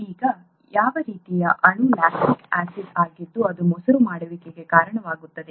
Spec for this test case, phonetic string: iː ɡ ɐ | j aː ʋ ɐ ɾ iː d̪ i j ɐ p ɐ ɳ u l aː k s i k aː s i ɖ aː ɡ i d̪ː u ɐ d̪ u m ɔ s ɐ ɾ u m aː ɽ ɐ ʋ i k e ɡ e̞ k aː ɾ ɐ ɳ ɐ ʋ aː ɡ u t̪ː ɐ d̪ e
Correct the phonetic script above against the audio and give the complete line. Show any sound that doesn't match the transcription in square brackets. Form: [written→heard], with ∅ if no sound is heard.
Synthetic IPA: iː ɡ ɐ | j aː ʋ ɐ ɾ iː [d̪→t̪] i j ɐ [p→ʔ] ɐ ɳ u l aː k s i k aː s i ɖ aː ɡ i d̪ː u ɐ d̪ u m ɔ s ɐ ɾ u m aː ɽ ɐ ʋ i k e ɡ e̞ k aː ɾ ɐ ɳ ɐ ʋ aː ɡ u t̪ː ɐ d̪ e